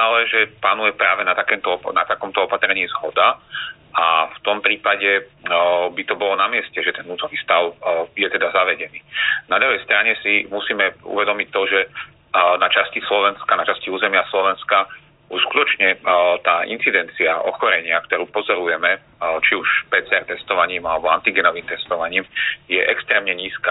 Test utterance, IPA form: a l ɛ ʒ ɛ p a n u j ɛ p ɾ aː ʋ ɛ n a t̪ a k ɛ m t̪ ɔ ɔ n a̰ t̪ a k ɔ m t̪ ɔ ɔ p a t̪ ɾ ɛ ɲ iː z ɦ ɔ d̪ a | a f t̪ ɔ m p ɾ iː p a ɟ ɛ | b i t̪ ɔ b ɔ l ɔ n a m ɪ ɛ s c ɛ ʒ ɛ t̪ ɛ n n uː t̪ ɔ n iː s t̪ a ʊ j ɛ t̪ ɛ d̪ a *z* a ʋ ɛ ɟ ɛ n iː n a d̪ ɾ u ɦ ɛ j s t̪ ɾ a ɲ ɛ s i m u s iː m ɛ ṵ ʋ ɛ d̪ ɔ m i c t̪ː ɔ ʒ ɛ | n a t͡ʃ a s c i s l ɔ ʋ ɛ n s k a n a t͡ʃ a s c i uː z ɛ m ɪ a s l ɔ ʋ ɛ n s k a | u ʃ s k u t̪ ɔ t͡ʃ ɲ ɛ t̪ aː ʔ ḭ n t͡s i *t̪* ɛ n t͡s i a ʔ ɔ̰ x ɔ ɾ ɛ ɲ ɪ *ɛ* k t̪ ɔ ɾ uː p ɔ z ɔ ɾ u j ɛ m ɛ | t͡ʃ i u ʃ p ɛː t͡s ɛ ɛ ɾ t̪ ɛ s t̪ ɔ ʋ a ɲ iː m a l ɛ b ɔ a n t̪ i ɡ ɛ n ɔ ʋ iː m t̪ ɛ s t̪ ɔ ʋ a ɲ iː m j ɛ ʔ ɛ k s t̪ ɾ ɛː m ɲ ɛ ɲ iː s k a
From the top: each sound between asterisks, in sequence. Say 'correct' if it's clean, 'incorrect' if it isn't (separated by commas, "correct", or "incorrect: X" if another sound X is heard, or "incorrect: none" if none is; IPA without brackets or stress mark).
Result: correct, incorrect: d̪, incorrect: a